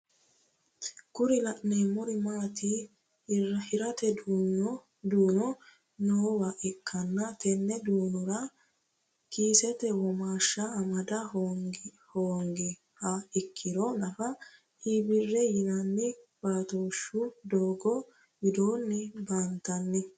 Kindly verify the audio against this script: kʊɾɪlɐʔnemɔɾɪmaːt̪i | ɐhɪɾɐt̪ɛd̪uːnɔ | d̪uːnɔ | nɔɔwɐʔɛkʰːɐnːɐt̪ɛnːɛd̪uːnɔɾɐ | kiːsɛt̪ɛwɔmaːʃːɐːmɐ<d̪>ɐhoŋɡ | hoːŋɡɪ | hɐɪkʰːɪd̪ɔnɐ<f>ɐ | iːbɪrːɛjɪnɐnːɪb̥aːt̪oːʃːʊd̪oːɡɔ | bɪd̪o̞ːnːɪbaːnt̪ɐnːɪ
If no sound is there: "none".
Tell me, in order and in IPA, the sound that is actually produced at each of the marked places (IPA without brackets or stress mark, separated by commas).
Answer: d̪, f